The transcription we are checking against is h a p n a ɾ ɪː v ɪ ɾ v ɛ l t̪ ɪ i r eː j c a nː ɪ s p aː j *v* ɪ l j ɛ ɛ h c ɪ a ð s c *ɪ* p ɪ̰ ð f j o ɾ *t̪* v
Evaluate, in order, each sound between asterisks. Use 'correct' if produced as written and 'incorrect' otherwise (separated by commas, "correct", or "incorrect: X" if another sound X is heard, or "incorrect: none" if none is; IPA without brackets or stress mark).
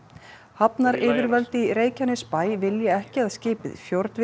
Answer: correct, incorrect: ɪː, correct